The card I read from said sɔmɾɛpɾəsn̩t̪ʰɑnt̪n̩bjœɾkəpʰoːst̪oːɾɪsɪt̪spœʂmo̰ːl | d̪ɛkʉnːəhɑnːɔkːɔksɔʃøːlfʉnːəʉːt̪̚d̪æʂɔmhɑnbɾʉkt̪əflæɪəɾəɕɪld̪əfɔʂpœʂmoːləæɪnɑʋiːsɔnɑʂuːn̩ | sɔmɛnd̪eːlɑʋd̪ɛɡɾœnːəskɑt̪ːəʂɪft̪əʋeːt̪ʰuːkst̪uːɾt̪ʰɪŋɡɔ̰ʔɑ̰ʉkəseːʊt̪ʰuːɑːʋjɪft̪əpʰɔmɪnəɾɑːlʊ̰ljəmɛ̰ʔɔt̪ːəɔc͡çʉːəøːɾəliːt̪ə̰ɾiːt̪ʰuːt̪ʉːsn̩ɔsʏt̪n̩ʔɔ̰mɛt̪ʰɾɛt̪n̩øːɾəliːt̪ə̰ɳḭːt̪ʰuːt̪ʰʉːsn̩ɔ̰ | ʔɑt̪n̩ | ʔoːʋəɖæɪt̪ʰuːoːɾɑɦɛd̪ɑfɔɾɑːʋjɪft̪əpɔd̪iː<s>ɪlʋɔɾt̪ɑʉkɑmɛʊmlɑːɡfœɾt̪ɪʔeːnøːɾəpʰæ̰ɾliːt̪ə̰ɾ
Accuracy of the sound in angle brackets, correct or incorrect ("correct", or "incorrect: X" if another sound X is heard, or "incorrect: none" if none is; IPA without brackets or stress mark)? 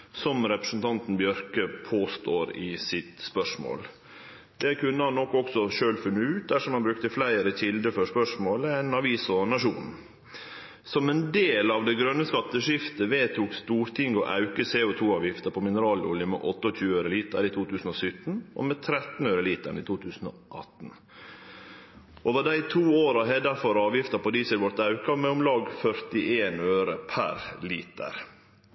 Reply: correct